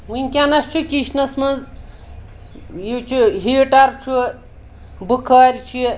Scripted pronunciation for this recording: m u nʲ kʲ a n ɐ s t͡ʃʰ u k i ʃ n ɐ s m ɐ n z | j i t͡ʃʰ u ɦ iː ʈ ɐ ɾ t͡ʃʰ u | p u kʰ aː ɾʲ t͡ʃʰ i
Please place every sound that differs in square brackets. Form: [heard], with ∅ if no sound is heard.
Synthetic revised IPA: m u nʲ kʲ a n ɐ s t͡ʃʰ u k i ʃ n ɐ s m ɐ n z | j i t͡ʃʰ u ɦ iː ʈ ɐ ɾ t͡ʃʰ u | [b] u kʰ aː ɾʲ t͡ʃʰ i